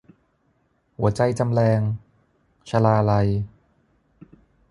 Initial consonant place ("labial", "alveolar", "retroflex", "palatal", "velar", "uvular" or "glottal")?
glottal